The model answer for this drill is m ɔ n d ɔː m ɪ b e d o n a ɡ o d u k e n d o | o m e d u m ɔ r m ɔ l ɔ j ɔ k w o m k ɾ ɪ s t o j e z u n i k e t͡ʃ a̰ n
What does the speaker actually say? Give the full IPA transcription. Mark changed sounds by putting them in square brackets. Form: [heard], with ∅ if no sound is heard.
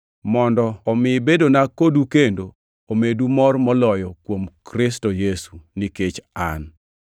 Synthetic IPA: m ɔ n d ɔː m ɪ b e d o n a [k] o d u k e n d o | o m e d u m ɔ r m ɔ l ɔ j ɔ k w o m k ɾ ɪ s t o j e [s] u n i k e t͡ʃ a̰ n